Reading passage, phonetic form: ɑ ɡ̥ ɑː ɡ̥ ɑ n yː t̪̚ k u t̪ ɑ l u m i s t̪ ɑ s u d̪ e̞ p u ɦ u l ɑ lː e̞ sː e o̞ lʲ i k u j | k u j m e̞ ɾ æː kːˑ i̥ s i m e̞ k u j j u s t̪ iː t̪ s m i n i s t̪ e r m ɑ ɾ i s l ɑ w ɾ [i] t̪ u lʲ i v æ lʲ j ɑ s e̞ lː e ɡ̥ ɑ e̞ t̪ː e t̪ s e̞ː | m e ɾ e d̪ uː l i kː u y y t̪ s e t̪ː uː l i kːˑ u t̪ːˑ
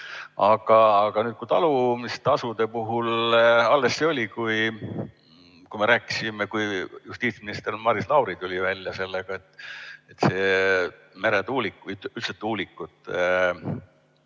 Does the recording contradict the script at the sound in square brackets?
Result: no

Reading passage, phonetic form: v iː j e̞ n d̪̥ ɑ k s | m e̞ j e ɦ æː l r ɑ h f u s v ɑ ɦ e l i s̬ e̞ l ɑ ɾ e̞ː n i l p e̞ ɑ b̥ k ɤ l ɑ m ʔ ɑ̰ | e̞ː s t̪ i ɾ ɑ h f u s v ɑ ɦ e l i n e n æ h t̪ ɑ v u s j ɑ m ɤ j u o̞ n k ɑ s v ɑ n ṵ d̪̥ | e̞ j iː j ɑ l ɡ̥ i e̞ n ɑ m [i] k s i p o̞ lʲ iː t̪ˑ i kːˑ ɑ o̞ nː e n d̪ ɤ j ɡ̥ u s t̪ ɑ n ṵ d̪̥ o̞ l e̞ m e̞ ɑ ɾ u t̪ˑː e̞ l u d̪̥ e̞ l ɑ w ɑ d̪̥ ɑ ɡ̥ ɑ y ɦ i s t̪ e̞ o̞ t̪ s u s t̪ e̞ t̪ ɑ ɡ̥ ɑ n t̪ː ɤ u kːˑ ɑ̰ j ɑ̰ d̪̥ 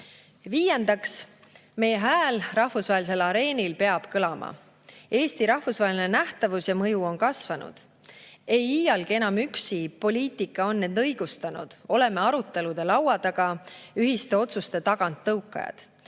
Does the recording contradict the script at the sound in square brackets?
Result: yes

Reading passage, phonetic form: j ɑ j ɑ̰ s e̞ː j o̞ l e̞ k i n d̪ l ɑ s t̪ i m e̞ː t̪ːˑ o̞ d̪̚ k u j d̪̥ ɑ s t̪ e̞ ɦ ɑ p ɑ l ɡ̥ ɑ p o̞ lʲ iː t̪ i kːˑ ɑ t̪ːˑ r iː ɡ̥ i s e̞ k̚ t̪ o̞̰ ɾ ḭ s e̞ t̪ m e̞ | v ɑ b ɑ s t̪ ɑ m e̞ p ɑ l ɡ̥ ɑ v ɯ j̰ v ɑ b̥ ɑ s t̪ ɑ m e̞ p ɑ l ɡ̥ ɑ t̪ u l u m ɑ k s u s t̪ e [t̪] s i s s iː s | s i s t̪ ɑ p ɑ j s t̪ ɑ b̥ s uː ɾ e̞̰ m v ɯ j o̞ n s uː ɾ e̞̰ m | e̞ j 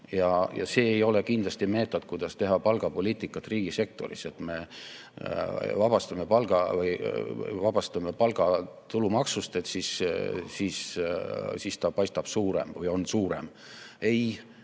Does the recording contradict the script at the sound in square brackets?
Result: no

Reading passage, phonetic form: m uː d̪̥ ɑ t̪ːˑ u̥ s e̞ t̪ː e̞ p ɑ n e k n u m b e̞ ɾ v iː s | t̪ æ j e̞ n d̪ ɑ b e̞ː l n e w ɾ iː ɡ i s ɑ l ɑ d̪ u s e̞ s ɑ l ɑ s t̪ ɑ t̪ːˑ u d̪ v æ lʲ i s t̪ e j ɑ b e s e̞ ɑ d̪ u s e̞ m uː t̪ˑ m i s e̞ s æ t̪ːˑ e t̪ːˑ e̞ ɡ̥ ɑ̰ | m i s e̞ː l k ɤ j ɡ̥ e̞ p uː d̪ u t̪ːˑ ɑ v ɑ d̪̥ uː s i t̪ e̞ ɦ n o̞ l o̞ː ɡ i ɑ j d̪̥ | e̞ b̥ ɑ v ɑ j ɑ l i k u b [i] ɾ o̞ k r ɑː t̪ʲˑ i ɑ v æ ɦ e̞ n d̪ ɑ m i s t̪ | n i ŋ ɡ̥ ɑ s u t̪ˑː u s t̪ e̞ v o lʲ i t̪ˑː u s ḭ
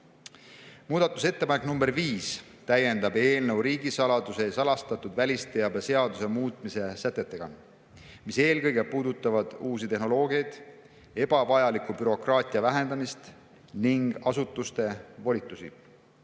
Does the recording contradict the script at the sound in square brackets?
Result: yes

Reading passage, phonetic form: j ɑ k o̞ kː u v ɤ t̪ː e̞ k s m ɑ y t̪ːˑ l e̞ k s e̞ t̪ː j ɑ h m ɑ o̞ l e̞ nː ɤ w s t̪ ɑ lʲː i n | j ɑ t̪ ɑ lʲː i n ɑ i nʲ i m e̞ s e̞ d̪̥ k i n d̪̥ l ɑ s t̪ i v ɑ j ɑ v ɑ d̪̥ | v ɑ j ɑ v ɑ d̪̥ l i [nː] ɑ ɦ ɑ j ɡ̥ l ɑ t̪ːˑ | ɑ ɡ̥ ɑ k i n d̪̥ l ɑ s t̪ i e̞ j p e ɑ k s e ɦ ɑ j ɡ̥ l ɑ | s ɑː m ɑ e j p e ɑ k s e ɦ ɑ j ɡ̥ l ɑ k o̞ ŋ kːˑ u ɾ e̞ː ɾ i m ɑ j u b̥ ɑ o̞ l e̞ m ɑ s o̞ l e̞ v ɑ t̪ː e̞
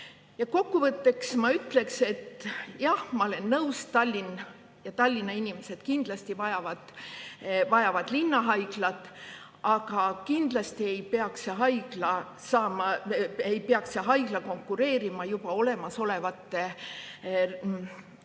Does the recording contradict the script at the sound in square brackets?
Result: no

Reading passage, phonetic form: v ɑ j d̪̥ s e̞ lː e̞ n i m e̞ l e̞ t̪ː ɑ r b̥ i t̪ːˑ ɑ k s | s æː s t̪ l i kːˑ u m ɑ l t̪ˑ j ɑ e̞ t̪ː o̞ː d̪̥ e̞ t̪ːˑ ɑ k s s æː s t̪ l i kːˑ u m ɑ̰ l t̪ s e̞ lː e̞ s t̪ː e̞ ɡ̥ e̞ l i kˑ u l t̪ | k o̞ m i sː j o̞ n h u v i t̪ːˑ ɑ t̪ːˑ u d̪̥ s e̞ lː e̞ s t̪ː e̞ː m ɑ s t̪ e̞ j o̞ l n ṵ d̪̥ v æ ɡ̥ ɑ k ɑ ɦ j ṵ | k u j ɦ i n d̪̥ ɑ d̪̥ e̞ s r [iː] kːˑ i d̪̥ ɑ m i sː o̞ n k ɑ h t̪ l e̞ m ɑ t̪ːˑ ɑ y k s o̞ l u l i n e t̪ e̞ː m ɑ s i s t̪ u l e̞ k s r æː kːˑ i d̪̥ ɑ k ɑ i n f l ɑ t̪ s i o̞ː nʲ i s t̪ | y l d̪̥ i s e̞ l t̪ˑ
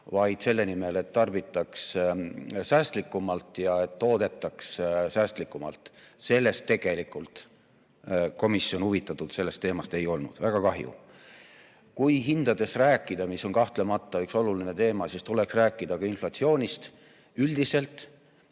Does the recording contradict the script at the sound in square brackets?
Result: yes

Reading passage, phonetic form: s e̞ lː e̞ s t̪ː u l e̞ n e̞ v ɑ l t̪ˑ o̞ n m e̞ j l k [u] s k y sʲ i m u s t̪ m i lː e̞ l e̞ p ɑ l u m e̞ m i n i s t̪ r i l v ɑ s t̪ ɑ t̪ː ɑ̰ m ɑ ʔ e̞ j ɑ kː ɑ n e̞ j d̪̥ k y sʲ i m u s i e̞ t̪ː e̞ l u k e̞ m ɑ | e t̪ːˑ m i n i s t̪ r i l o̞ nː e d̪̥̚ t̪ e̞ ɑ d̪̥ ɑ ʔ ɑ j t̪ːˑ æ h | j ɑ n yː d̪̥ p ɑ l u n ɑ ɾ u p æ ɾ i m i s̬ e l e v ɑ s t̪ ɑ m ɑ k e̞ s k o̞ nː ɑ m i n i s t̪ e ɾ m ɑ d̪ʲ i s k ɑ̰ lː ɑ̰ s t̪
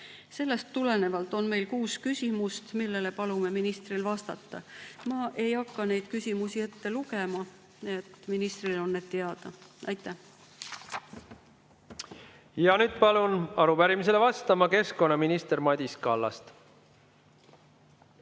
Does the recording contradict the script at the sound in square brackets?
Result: yes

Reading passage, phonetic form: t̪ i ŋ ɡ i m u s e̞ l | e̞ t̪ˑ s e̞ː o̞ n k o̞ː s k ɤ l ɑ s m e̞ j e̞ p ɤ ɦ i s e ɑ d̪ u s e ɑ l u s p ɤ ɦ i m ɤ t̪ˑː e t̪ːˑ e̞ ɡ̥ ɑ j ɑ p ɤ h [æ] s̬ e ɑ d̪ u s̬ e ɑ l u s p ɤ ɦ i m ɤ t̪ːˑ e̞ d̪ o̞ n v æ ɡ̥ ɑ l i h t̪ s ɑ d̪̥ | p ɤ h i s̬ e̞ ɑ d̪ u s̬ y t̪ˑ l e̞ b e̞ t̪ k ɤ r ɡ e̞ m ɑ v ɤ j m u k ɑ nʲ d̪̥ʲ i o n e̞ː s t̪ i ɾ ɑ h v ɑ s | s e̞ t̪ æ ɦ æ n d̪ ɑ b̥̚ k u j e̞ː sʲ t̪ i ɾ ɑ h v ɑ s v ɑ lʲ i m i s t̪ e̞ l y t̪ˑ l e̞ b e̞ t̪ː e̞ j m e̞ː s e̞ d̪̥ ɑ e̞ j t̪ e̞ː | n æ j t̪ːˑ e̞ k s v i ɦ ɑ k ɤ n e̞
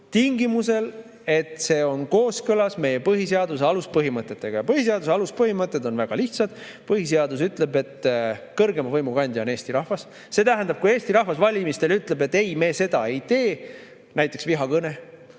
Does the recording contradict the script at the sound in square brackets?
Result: yes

